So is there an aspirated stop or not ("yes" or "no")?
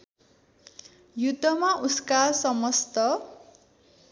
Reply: no